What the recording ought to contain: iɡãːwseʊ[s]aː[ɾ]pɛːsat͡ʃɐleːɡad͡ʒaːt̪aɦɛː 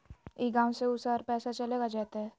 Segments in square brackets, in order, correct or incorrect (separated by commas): correct, correct